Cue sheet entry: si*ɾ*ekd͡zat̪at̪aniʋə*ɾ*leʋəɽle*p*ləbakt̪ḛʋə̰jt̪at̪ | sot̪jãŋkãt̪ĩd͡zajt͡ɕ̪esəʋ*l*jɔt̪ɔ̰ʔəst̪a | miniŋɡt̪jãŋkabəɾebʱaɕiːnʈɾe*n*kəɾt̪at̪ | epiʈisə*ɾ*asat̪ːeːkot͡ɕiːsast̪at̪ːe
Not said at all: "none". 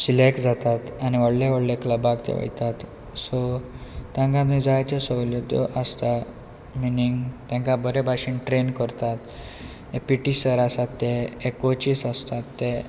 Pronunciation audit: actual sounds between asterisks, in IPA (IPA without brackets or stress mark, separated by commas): l, ɽ, k, l, n, ɾ